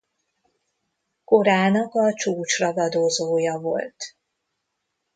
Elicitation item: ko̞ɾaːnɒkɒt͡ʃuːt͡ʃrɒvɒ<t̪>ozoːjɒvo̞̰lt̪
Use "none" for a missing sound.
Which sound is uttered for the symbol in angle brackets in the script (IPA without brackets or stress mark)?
d̪